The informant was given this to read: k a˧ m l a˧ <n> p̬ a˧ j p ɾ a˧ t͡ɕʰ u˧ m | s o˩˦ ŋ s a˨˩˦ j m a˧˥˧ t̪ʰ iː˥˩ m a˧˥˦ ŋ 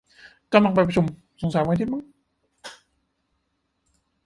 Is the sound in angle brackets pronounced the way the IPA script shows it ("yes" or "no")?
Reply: no